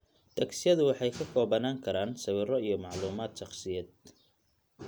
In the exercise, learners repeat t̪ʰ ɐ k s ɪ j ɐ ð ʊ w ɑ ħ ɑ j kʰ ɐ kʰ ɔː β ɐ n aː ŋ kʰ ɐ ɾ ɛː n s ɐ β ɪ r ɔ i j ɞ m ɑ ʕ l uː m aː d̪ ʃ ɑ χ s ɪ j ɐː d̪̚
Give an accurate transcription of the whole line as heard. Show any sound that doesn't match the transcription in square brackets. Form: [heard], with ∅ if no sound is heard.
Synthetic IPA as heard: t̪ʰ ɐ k s ɪ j ɐ ð ʊ w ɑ ħ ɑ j kʰ ɐ kʰ ɔː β ɐ n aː ŋ kʰ ɐ ɾ [aː] n s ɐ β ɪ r ɔ i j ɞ m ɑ ʕ l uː m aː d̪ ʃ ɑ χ s ɪ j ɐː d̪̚